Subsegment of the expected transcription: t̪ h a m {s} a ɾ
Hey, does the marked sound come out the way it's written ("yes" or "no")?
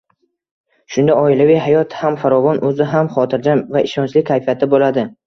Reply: no